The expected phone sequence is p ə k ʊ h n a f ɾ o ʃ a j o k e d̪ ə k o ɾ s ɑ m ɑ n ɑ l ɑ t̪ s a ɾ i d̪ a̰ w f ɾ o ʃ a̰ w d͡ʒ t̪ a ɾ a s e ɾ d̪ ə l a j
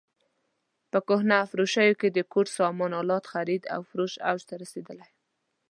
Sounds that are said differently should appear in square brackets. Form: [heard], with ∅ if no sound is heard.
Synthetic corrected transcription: p ə k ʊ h n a f ɾ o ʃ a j o k e d̪ ə k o ɾ s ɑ m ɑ n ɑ l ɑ t̪ [x] a ɾ i d̪ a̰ w f ɾ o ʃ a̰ w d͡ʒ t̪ a ɾ a s e [∅] d̪ ə l a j